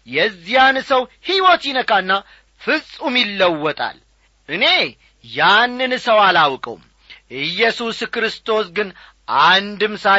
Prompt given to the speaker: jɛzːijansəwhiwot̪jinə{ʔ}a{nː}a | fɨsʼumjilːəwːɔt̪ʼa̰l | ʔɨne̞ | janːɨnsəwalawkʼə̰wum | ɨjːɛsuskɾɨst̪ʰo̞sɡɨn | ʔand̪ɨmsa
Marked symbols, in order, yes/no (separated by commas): no, yes